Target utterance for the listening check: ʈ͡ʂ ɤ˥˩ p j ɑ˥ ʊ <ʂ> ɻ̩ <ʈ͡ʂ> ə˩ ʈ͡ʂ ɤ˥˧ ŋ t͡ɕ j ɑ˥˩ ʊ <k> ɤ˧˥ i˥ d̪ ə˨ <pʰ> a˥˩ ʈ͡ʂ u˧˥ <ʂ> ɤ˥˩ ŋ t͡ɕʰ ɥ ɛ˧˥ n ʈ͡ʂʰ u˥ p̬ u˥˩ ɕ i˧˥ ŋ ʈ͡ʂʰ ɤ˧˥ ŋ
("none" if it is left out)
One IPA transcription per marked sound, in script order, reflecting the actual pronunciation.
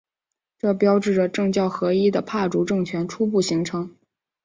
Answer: ʈ͡ʂ, ʈ͡ʂ, x, pʰ, ʈ͡ʂ

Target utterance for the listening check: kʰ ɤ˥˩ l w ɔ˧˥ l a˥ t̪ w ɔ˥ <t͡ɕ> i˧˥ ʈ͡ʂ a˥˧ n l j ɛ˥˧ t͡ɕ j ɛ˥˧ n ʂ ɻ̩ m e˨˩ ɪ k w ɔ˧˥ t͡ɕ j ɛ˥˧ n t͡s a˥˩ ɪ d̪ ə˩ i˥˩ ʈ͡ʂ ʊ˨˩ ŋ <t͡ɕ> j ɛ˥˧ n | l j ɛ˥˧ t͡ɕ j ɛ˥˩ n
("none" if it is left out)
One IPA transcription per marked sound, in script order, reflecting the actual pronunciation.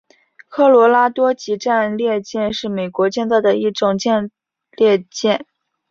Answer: t͡ɕ, t͡ɕ

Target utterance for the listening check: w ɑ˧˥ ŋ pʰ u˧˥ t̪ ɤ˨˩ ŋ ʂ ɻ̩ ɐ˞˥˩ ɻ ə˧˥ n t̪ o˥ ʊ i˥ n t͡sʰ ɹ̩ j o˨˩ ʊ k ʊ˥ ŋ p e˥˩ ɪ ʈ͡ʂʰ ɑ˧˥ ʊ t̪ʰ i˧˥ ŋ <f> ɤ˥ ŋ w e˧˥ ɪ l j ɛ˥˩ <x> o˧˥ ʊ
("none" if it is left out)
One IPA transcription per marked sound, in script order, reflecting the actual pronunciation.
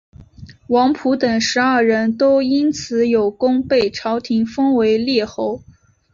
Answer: f, x

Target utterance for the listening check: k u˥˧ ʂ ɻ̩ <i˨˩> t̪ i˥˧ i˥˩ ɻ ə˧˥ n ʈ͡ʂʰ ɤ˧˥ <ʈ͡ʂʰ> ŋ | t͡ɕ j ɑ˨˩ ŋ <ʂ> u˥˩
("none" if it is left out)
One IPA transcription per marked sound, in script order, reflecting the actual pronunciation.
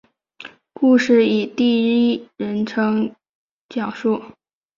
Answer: i˨˩, none, ʂ

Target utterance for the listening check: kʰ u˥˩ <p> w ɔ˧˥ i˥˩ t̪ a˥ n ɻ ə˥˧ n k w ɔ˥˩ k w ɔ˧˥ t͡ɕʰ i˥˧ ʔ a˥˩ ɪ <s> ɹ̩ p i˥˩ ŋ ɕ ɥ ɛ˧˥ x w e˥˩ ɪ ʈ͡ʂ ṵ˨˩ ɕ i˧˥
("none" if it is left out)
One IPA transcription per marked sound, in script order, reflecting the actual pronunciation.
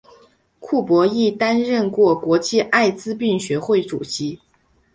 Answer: p, t͡s

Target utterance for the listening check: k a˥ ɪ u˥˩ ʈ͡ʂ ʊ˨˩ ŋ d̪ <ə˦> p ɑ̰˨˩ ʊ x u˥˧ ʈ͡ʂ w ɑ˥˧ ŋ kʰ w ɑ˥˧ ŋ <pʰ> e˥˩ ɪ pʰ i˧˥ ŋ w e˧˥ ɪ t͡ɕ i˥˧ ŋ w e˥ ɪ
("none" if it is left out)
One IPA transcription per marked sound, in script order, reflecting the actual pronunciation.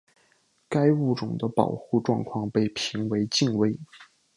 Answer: ə˦, p

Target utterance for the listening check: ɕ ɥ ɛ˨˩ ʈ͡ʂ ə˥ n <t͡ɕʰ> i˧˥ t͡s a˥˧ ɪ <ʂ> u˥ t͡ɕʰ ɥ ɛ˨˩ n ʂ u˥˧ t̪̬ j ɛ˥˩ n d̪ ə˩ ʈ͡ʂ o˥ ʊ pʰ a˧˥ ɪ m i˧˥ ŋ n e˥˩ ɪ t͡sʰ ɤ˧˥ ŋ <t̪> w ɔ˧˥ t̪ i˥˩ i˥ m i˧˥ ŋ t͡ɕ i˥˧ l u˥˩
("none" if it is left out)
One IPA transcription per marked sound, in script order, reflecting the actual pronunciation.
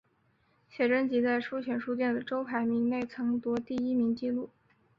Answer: t͡ɕ, ʂ, t̪

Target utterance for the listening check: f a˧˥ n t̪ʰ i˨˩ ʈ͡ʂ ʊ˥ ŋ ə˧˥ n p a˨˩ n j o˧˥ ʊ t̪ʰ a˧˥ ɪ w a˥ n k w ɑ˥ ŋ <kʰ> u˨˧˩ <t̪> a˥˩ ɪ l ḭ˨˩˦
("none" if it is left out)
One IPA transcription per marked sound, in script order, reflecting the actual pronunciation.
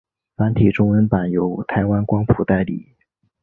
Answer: pʰ, t̪

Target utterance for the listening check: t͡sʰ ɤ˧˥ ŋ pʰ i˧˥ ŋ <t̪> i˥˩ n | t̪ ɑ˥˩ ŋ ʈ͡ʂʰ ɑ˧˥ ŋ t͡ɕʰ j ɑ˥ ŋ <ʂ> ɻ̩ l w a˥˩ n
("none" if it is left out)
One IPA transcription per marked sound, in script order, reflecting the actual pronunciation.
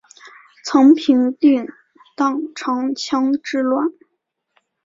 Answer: t̪, ʈ͡ʂ

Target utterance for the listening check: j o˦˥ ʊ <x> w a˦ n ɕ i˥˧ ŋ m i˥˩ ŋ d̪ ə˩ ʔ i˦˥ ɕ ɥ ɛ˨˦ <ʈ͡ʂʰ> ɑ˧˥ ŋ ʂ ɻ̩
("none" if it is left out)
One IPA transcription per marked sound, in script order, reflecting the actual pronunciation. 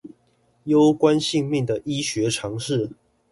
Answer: k, ʈ͡ʂʰ

